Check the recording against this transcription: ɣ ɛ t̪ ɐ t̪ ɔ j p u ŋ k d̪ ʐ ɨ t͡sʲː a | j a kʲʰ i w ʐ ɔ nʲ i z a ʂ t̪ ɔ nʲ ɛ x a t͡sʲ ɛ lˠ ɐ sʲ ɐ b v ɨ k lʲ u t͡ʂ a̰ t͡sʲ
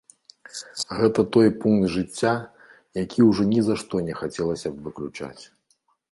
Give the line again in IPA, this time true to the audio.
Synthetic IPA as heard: ɣ ɛ t̪ ɐ t̪ ɔ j p u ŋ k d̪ ʐ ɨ t͡sʲː a | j a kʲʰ i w ʐ ɔ nʲ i z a ʂ t̪ ɔ nʲ ɛ x a t͡sʲ ɛ lˠ ɐ sʲ ɐ b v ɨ k lʲ u t͡ʂ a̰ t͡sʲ